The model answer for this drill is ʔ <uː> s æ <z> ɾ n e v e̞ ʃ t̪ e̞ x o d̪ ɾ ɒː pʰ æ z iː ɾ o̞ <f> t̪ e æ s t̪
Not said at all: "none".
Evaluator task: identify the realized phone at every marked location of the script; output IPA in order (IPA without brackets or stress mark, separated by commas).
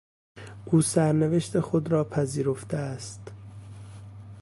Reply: uː, none, f